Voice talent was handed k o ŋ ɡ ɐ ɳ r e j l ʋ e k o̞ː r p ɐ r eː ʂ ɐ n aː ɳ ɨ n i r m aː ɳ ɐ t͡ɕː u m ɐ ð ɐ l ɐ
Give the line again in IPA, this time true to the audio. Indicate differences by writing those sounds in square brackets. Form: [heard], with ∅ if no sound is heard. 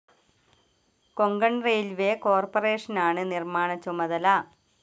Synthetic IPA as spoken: k o ŋ ɡ ɐ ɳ r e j l ʋ e k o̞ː r p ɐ r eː ʂ ɐ n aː ɳ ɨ n i r m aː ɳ ɐ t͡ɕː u m ɐ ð ɐ l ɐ